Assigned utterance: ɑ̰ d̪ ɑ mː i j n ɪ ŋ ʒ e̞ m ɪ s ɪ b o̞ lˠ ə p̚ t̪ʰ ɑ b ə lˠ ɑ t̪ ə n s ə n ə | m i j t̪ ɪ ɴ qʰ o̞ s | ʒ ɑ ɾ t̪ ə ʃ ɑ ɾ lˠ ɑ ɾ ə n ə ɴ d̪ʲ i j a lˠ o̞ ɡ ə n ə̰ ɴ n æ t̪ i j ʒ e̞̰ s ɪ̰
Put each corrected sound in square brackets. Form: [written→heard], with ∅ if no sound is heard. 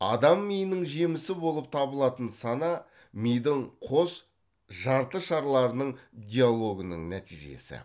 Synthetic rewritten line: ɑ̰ d̪ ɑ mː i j n ɪ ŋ ʒ e̞ m ɪ s ɪ b o̞ lˠ ə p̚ t̪ʰ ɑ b ə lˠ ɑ t̪ ə n s [ə→ɑ] n [ə→ɑ] | m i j [t̪→d̪] ɪ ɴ qʰ o̞ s | ʒ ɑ ɾ t̪ ə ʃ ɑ ɾ lˠ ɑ ɾ ə n ə ɴ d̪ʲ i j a lˠ o̞ ɡ ə n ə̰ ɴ n æ t̪ i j ʒ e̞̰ s ɪ̰